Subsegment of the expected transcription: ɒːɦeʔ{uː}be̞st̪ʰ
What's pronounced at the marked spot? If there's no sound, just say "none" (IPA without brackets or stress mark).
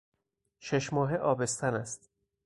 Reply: ɒː